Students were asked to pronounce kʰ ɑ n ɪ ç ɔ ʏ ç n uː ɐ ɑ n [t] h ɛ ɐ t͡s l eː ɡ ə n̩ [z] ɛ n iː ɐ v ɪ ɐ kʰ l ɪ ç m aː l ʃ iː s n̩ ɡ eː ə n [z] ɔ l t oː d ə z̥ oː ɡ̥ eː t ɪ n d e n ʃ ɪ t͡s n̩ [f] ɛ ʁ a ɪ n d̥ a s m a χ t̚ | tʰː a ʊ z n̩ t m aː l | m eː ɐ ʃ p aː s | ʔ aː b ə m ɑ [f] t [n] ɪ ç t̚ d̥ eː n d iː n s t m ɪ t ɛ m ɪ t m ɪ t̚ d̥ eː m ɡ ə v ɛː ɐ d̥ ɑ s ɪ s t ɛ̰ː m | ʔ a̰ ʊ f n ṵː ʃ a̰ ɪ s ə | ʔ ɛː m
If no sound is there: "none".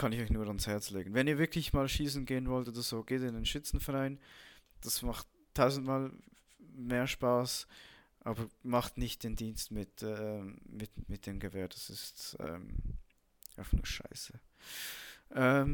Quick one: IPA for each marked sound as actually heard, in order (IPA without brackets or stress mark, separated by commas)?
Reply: s, v, v, f, χ, n